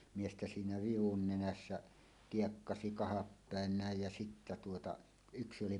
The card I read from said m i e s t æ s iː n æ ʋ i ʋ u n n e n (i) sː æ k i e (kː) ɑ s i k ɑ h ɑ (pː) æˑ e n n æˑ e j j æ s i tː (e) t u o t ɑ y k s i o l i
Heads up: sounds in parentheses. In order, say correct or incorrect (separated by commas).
incorrect, correct, correct, incorrect